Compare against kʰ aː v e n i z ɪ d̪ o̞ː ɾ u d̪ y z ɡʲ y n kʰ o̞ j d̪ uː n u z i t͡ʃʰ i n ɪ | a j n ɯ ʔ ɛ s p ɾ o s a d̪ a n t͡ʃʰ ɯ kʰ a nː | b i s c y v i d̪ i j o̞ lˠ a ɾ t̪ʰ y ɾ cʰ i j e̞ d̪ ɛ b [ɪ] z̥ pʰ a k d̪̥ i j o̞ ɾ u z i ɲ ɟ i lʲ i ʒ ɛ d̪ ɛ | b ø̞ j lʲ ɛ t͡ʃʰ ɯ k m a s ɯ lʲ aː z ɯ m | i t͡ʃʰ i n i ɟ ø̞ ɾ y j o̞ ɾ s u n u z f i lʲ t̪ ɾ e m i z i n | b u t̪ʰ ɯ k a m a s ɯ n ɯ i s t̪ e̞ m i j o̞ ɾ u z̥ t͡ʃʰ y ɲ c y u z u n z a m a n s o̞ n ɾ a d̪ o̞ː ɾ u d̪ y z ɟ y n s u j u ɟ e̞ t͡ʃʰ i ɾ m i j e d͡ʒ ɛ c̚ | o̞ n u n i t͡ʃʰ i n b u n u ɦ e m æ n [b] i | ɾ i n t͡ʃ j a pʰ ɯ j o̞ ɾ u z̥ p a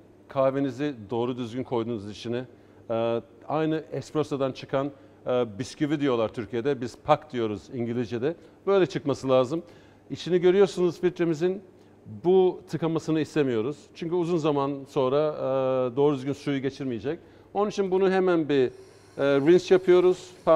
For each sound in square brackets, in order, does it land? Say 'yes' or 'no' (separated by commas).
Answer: no, yes